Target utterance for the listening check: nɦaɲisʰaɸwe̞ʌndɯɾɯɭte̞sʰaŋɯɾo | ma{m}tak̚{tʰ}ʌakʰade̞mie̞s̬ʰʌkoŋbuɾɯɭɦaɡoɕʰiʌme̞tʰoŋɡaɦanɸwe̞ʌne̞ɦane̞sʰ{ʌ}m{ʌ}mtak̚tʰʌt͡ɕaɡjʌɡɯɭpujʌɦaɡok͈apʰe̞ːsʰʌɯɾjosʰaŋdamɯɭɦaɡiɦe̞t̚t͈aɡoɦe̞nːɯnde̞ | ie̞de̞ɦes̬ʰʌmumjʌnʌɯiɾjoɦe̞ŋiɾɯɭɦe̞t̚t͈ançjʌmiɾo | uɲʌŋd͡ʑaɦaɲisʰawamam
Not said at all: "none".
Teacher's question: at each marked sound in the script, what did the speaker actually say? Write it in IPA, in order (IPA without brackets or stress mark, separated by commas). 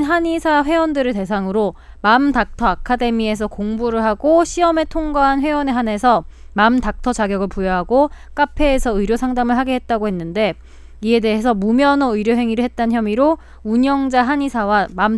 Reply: m, tʰ, ʌ, a